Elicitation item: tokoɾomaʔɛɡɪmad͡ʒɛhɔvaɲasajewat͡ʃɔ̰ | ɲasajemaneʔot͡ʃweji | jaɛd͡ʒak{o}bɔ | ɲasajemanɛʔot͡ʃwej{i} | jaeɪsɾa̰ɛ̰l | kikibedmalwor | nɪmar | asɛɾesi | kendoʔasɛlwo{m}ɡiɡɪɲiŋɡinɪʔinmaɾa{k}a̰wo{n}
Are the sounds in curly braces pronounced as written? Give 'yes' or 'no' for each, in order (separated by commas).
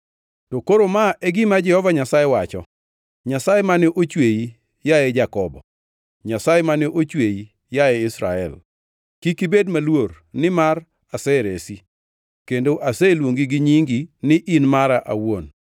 no, yes, no, no, yes